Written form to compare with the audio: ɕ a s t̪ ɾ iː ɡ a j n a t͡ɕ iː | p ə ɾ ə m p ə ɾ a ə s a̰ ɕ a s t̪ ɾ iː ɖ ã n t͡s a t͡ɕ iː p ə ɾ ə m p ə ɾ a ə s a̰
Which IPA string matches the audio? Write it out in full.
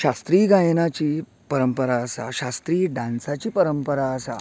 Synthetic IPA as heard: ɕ a s t̪ ɾ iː ɡ a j n a t͡ɕ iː | p ə ɾ ə m p ə ɾ a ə s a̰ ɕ a s t̪ ɾ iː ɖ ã n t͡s a t͡ɕ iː p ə ɾ ə m p ə ɾ a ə s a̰